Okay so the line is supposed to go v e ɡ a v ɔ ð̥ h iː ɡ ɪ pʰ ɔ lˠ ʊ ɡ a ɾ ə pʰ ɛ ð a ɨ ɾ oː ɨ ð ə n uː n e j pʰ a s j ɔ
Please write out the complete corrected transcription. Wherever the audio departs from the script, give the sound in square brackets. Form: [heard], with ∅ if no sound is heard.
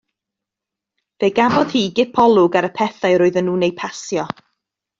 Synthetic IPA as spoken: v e ɡ a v ɔ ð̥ h iː ɡ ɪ pʰ ɔ lˠ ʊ ɡ a ɾ ə pʰ ɛ [θ] a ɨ ɾ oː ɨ ð ə n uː n e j pʰ a s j ɔ